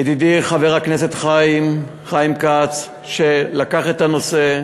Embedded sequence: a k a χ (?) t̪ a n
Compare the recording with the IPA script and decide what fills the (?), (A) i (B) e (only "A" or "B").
B